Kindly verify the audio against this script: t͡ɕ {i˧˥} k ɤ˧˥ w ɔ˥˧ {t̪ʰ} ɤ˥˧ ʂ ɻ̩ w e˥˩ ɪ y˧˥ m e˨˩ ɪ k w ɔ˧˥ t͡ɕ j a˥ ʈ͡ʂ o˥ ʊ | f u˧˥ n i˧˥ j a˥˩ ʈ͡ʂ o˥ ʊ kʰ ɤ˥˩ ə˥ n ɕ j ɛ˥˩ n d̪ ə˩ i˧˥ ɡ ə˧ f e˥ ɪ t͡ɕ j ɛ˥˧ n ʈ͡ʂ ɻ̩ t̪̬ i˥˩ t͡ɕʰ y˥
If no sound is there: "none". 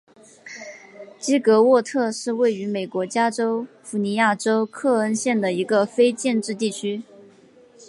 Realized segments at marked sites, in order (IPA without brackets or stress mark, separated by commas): i˥, t̪ʰ